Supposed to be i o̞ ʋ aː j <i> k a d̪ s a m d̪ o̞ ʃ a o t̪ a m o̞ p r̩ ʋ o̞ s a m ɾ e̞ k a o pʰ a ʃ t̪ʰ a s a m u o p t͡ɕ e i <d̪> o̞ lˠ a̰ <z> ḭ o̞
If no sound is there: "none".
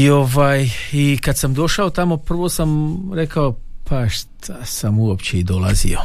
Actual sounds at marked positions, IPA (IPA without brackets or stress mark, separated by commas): i, d̪, z